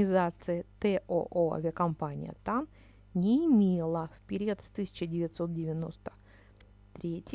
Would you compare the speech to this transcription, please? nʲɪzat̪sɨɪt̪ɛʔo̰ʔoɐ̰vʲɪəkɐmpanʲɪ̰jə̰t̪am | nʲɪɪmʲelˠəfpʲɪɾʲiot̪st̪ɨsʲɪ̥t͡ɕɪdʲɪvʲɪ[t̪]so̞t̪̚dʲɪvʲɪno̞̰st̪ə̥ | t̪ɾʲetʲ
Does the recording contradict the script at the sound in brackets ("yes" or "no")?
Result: no